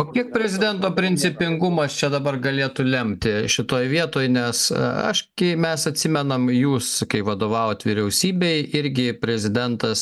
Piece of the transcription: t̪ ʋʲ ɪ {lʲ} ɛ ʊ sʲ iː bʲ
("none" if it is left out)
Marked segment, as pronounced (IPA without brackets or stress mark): ɾʲ